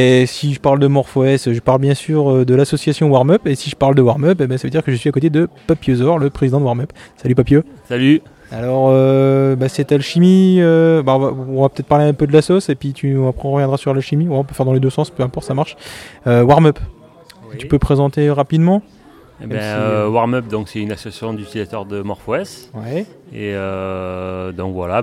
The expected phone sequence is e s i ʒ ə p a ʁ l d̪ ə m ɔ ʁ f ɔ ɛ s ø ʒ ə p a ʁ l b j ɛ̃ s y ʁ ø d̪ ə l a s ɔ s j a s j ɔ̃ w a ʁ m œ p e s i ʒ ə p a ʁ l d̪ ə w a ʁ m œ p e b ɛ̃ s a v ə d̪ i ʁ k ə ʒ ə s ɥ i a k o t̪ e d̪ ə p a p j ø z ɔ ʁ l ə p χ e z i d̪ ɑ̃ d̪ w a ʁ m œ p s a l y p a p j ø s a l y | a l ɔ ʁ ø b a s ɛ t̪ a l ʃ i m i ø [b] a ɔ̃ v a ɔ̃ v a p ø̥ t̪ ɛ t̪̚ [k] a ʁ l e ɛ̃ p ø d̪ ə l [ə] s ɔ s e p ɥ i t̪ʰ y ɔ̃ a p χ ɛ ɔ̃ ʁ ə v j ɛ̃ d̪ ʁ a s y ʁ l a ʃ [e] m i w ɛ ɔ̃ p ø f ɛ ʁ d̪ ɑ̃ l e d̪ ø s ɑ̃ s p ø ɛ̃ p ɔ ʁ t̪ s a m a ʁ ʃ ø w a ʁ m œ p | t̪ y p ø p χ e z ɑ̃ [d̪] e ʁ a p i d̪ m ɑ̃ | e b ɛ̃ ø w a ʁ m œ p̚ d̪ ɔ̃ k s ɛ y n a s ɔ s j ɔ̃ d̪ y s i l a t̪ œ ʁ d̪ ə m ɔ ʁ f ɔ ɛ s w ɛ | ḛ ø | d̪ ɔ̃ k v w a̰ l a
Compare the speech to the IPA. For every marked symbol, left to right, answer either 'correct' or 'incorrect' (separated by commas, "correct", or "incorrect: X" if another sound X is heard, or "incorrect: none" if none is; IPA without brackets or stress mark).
correct, incorrect: p, incorrect: a, incorrect: i, incorrect: t̪